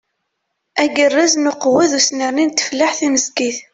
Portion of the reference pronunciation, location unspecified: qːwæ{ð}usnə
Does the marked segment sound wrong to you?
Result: no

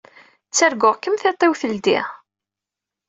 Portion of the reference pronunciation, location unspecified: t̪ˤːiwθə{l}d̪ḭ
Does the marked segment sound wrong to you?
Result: no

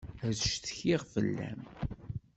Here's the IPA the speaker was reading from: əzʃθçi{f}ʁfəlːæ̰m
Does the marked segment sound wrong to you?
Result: yes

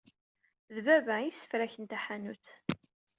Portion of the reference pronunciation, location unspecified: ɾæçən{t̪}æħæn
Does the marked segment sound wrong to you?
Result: no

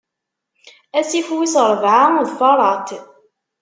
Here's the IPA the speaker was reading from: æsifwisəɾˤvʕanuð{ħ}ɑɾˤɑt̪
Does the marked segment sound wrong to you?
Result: yes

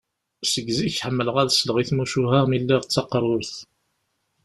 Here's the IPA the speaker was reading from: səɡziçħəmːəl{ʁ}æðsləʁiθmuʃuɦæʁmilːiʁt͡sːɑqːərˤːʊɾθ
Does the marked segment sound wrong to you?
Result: no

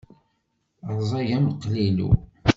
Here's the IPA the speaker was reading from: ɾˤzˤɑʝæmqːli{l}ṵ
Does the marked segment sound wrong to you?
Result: no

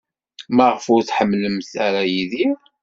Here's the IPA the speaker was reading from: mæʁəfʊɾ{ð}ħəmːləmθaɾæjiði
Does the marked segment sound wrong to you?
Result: yes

